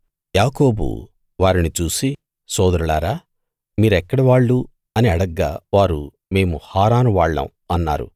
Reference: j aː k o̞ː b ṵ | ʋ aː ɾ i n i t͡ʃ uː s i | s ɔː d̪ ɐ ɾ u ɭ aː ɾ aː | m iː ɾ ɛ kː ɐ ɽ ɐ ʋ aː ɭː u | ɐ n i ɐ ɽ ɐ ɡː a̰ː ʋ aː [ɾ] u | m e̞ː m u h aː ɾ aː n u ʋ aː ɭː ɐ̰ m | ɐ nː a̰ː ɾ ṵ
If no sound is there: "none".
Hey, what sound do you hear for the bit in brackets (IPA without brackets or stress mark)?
ɾ